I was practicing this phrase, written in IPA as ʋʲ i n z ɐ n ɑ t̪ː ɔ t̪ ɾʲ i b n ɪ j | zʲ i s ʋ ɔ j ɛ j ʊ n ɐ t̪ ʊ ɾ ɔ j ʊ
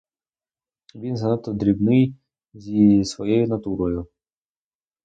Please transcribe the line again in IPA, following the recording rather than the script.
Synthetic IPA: ʋʲ i n z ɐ n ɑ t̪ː ɔ d̪ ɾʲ i b n ɪ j | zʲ i s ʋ ɔ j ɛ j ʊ n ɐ t̪ u ɾ ɔ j ʊ

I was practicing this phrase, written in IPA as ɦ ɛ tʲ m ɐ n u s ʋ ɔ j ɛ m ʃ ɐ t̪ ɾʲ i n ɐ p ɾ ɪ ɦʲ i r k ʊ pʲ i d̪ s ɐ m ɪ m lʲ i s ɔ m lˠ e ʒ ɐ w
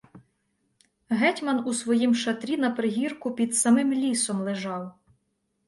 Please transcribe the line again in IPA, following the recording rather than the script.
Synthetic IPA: ɦ ɛ tʲ m ɐ n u s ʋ ɔ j i m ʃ ɐ t̪ ɾʲ i n ɐ p ɾ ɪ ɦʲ i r k ʊ pʲ i d̪ s ɐ m ɪ m lʲ i s ɔ m lˠ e ʒ ɑ w

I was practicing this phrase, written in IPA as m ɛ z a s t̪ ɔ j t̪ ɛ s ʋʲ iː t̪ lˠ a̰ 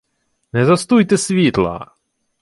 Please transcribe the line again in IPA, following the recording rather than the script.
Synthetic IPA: n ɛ z a s t̪ u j t̪ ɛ s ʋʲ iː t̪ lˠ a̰

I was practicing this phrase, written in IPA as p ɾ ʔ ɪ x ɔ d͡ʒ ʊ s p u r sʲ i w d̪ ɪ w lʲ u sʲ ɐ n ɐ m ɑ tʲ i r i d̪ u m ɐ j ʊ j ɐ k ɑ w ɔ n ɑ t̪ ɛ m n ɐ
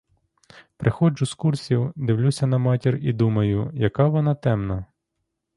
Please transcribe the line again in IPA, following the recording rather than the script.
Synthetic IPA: p ɾ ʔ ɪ x ɔ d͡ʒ ʊ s k u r sʲ i w d̪ ɪ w lʲ u sʲ ɐ n ɐ m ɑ tʲ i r i d̪ u m ɐ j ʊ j ɐ k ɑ ʋ ɔ n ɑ t̪ ɛ m n ɐ

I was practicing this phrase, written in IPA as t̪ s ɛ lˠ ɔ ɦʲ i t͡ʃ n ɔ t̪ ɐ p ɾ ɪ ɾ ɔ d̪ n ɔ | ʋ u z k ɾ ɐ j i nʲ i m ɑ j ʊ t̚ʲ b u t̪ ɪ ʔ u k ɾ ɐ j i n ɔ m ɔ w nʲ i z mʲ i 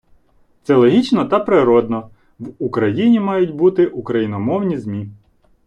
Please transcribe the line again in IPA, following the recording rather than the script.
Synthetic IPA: t̪ s ɛ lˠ ɔ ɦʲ i t͡ʃ n ɔ t̪ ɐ p ɾ ɪ ɾ ɔ d̪ n ɔ | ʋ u k ɾ ɐ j i nʲ i m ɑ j ʊ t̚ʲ b u t̪ ɪ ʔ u k ɾ ɐ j i n ɔ m ɔ w nʲ i z mʲ i

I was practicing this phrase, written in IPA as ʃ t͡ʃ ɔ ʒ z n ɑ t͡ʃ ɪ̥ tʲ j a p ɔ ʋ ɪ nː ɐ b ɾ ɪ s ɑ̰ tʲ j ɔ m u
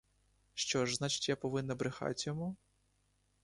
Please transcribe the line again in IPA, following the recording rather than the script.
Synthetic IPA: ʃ t͡ʃ ɔ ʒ z n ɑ t͡ʃ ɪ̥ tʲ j a p ɔ ʋ ɪ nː ɐ b ɾ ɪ x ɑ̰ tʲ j ɔ m u

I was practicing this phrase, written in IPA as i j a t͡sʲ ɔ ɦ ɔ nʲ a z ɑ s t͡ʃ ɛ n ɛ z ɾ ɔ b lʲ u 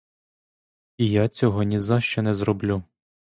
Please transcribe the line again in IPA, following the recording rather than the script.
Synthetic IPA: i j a t͡sʲ ɔ ɦ ɔ nʲ i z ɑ ʃ t͡ʃ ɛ n ɛ z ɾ ɔ b lʲ u

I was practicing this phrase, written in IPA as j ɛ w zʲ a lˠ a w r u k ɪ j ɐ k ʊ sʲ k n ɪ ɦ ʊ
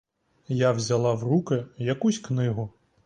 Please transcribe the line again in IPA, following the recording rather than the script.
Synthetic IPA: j a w zʲ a lˠ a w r u k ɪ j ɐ k u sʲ k n ɪ ɦ ʊ

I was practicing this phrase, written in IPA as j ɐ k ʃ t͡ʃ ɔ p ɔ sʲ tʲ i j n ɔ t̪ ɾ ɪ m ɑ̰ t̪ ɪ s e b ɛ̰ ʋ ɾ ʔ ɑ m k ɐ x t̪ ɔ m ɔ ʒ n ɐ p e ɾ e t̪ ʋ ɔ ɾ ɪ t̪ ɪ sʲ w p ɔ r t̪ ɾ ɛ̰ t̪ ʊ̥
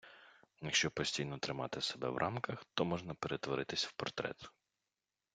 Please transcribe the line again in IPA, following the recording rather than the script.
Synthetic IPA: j ɐ k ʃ t͡ʃ ɔ p ɔ sʲ tʲ i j n ɔ t̪ ɾ ɪ m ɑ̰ t̪ ɪ s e b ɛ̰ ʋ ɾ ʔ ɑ m k ɐ x t̪ ɔ m ɔ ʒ n ɐ p e ɾ e t̪ ʋ ɔ ɾ ɪ t̪ ɪ sʲ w p ɔ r t̪ ɾ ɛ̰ t̪ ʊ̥

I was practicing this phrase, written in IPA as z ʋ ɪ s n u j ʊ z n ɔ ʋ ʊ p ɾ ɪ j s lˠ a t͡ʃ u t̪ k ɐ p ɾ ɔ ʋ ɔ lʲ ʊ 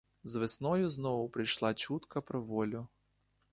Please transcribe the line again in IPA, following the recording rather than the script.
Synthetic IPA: z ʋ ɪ s n ɔ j ʊ z n ɔ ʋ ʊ p ɾ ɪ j ʃ lˠ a t͡ʃ u t̪ k ɐ p ɾ ɔ ʋ ɔ lʲ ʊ

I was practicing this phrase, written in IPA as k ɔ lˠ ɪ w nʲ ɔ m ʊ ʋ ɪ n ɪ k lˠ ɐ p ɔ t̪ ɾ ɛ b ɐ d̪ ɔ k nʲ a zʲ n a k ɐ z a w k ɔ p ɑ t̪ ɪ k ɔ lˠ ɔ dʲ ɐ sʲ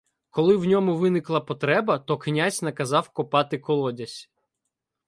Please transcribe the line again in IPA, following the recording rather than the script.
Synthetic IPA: k ɔ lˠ ɪ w nʲ ɔ m ʊ ʋ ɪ n ɪ k lˠ ɐ p ɔ t̪ ɾ ɛ b ɐ t̪ ɔ k nʲ a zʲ n ɐ k ɐ z ɑ w k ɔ p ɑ t̪ ɪ k ɔ lˠ ɔ dʲ ɐ sʲ

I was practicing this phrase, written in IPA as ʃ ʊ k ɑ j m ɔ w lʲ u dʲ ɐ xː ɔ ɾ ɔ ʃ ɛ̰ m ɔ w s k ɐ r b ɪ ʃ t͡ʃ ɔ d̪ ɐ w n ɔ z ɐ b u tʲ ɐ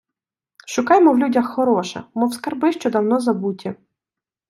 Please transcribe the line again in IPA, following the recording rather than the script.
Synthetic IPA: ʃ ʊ k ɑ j m ɔ w lʲ u dʲ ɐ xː ɔ ɾ ɔ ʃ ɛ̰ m ɔ w s k ɐ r b ɪ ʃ t͡ʃ ɔ d̪ ɐ w n ɔ z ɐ b u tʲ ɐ

